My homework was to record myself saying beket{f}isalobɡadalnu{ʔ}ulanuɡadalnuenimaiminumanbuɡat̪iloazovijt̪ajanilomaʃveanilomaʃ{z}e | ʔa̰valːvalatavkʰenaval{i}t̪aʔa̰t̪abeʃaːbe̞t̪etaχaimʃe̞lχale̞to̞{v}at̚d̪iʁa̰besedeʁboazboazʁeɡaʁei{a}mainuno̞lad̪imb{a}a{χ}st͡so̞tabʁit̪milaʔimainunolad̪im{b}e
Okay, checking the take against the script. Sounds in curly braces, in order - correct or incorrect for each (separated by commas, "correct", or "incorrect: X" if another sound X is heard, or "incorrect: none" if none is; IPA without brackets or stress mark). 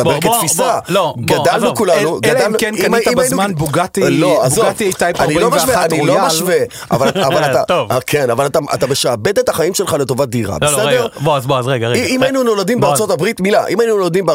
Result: correct, incorrect: k, incorrect: v, incorrect: a, correct, incorrect: i, incorrect: e, incorrect: ʁ, correct